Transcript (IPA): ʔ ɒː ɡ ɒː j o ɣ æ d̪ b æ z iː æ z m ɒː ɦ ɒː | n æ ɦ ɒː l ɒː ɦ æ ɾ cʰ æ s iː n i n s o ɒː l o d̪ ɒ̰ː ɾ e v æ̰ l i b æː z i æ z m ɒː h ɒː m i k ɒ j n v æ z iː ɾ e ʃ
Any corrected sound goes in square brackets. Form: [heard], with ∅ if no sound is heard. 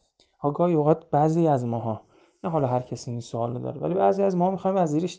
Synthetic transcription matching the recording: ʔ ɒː ɡ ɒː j o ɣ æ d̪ b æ z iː æ z m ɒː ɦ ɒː | n æ ɦ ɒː l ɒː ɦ æ ɾ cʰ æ s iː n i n s o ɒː l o d̪ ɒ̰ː ɾ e v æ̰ l i b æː z i æ z m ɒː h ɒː m i [x] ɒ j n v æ z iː ɾ e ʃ